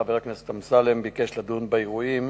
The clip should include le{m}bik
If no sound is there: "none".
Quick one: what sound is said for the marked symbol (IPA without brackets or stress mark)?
m